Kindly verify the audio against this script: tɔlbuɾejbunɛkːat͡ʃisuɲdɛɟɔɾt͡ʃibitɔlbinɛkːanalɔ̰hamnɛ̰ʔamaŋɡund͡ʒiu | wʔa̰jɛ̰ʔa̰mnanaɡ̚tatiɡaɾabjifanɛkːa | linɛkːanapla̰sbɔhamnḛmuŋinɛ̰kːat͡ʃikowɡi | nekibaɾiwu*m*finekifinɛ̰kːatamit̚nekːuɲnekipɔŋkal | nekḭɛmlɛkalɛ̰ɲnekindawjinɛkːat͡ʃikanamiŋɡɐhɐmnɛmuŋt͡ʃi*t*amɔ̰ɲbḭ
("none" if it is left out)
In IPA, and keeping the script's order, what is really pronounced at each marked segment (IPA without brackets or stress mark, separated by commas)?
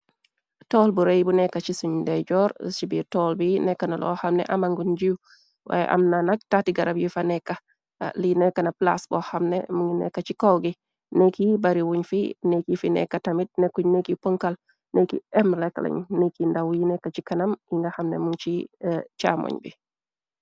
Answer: ɲ, t͡ʃ